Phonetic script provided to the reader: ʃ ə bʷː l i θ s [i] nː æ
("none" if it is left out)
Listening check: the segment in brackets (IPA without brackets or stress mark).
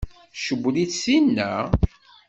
i